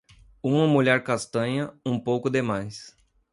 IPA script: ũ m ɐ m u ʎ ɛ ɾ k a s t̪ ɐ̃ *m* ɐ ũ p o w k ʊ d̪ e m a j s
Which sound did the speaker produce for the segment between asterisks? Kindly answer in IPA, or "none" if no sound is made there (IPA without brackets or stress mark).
ɲ